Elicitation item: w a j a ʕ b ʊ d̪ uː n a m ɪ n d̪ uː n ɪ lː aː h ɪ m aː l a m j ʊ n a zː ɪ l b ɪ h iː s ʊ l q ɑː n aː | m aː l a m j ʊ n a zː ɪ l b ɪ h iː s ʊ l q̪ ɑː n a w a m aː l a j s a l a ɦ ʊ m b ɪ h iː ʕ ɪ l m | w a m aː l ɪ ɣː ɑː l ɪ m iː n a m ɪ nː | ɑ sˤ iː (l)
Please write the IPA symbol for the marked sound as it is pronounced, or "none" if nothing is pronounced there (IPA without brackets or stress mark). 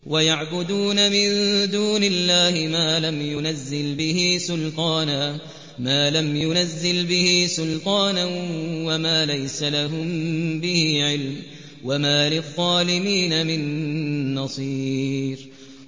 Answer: ɾ